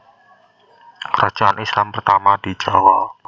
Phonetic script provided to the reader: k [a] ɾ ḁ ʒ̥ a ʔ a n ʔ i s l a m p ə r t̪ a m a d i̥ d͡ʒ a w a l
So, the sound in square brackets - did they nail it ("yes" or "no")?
no